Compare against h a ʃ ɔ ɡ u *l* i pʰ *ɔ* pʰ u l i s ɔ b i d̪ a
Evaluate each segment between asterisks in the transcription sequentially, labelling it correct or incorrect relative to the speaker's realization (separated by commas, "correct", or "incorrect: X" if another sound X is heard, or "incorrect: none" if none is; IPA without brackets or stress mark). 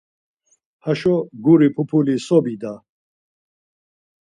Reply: incorrect: ɾ, incorrect: u